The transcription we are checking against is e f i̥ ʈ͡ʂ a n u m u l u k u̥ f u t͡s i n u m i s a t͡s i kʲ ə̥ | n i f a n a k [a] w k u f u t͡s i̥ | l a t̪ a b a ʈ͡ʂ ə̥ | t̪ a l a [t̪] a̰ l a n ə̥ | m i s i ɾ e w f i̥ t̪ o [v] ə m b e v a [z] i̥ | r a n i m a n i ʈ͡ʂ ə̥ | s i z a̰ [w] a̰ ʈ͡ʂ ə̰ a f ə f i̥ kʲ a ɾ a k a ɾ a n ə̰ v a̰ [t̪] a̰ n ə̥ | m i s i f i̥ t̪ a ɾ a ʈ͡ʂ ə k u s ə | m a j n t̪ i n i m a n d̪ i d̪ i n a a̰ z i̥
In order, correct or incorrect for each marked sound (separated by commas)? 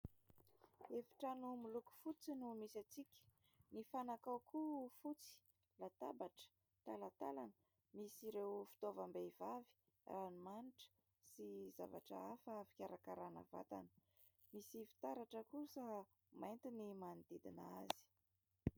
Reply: correct, correct, correct, incorrect, incorrect, correct